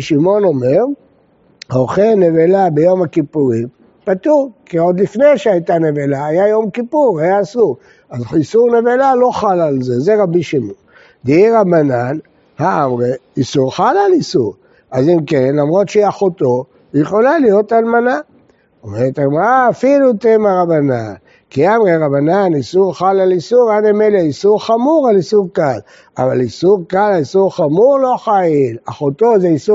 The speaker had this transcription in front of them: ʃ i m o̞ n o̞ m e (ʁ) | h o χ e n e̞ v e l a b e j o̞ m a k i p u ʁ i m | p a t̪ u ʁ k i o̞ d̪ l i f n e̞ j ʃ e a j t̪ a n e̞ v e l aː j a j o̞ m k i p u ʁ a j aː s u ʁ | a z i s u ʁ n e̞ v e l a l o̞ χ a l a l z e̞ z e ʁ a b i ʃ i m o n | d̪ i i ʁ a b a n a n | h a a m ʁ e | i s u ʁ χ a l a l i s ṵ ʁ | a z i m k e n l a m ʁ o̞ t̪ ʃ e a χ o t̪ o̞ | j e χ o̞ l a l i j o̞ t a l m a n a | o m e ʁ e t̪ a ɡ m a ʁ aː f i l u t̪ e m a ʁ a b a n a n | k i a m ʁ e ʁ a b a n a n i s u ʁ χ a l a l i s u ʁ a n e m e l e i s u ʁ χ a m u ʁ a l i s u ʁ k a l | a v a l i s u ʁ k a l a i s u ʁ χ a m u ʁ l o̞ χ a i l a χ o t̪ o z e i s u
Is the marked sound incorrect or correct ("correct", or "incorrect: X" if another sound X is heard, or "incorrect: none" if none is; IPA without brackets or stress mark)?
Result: correct